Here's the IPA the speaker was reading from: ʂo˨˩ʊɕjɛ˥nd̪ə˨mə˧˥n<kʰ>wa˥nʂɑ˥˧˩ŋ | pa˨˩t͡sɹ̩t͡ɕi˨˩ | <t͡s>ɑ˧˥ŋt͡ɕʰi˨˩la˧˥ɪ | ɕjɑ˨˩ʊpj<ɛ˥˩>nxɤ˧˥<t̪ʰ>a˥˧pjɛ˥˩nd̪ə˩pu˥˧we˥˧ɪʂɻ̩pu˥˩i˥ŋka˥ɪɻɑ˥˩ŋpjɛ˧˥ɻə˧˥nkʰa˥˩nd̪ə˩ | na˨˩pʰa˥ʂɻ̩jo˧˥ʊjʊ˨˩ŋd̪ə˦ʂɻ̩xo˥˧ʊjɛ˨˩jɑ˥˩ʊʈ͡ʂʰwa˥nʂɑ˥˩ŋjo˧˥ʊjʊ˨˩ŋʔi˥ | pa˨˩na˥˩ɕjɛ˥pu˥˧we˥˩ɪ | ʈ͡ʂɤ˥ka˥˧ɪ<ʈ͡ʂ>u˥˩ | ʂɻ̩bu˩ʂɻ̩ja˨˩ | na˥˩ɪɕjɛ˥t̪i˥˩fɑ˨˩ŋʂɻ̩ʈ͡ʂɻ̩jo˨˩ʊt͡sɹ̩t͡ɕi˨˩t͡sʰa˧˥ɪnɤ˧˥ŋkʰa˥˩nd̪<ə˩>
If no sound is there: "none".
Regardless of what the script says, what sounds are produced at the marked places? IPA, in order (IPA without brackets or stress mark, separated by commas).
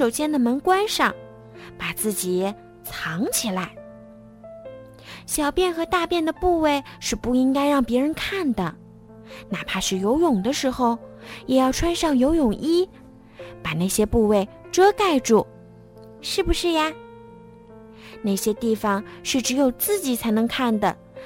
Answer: k, t͡sʰ, ɛ˥˩, t̪, ʈ͡ʂ, ə˩